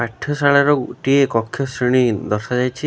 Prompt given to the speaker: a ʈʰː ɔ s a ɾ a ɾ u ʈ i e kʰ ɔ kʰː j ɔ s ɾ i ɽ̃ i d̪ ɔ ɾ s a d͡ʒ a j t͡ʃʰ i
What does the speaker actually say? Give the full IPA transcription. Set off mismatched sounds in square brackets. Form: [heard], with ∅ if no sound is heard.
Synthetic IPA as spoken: a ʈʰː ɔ s a [ɭ] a ɾ [ɔ] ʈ i e [k] ɔ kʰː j ɔ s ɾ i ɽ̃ i d̪ ɔ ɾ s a d͡ʒ a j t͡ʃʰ i